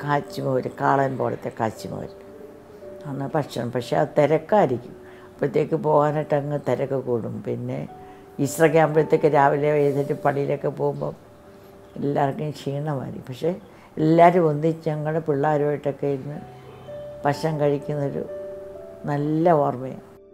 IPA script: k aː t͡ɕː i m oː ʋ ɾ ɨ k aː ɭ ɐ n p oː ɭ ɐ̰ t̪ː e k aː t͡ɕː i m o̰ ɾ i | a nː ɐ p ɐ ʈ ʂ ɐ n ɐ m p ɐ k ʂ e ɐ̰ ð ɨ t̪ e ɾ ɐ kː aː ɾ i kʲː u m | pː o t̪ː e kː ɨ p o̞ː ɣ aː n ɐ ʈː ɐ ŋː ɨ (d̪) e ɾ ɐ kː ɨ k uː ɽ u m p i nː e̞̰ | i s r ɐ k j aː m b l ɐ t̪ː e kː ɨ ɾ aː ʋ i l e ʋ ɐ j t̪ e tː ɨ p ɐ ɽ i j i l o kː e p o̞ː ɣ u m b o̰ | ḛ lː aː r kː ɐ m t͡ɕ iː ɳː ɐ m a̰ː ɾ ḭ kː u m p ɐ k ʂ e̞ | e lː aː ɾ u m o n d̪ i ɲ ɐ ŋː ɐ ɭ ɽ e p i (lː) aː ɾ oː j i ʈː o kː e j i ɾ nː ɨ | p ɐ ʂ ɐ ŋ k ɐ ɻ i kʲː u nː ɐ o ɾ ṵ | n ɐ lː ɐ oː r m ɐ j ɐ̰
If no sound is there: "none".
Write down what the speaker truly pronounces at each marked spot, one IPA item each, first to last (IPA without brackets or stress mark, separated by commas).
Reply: t̪, ɭː